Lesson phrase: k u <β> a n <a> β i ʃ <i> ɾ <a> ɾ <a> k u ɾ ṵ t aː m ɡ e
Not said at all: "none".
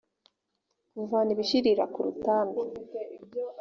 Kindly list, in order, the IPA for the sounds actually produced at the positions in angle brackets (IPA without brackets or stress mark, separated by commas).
v, i, i, i, a